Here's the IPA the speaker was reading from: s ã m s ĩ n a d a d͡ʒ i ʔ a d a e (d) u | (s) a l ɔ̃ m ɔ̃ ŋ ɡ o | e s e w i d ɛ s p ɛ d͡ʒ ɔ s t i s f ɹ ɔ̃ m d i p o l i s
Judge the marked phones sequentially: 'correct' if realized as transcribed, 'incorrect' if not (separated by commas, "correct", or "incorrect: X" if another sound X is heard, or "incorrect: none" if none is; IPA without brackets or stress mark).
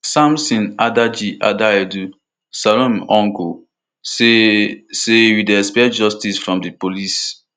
correct, correct